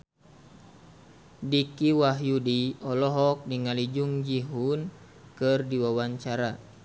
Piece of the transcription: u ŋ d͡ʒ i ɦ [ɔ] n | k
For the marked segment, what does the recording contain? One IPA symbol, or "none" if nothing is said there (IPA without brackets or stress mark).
u